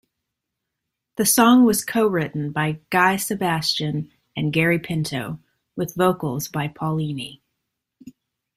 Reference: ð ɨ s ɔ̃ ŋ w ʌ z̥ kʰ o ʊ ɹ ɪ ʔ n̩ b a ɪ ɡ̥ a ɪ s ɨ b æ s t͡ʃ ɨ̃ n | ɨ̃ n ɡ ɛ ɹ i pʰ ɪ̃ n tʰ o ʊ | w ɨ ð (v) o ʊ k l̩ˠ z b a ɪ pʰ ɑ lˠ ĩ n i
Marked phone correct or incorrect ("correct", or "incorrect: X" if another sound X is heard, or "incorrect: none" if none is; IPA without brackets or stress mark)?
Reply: correct